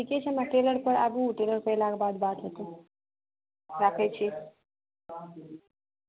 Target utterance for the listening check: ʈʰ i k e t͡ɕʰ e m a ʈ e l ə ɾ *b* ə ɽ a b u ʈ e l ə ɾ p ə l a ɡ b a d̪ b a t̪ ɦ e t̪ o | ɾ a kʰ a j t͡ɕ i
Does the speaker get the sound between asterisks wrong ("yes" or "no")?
yes